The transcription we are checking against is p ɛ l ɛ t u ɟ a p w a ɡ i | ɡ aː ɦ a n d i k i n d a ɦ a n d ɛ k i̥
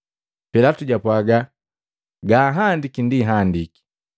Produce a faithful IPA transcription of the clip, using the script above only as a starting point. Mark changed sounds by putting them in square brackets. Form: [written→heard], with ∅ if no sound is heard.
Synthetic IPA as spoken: p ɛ l [ɛ→a] t u ɟ a p w a ɡ [i→a] | ɡ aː ɦ a n d i k i n d [a→i] ɦ a n d [ɛ→i] k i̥